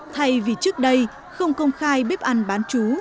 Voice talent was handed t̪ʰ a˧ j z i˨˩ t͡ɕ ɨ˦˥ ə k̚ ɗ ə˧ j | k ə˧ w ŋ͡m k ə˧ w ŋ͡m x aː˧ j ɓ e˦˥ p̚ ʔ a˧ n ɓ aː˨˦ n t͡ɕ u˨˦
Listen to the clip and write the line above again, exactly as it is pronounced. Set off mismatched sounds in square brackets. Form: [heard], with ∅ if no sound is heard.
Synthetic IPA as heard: t̪ʰ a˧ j [v] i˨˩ t͡ɕ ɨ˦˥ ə k̚ ɗ ə˧ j | [x] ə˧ w ŋ͡m k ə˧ w ŋ͡m x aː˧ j ɓ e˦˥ p̚ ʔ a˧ n ɓ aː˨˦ n t͡ɕ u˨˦